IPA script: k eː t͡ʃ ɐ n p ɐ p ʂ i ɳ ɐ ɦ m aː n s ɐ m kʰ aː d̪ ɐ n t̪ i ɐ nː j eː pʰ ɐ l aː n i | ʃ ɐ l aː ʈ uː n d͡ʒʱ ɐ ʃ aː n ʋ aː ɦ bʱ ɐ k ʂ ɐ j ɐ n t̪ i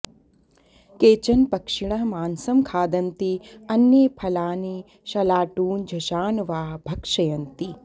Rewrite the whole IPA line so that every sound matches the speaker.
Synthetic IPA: k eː t͡ʃ ɐ n p ɐ k ʂ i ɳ ɐ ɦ m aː n s ɐ m kʰ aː d̪ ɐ n t̪ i ɐ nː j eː pʰ ɐ l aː n i | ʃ ɐ l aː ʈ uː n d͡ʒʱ ɐ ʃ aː n ʋ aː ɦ bʱ ɐ k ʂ ɐ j ɐ n t̪ i